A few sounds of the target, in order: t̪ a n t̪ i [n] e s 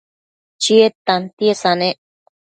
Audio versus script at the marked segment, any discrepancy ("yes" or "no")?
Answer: yes